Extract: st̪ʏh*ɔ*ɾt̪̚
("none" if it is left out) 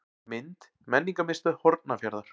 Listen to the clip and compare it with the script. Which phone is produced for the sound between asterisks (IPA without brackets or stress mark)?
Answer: ɔ